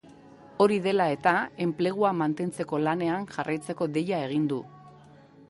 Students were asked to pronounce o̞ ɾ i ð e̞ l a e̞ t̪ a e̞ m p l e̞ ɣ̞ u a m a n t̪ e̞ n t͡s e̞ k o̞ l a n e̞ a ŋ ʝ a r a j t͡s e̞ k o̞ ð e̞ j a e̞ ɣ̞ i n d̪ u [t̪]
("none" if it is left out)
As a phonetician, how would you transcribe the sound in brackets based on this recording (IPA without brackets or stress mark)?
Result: none